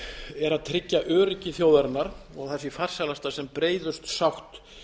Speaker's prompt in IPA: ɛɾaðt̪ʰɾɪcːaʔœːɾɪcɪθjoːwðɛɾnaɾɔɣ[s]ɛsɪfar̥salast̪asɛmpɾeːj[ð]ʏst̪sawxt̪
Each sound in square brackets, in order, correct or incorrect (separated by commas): incorrect, correct